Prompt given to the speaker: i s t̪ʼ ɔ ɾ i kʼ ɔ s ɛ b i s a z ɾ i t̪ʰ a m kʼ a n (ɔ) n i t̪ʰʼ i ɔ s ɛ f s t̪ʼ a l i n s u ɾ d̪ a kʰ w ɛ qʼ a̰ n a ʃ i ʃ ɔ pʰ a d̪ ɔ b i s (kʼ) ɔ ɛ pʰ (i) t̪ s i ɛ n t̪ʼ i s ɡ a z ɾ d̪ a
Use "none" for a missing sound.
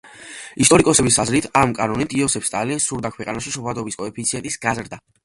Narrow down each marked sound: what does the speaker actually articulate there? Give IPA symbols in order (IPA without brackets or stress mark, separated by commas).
ɔ, kʼ, i